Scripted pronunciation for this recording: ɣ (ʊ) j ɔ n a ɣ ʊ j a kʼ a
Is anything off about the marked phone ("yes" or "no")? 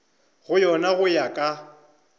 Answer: no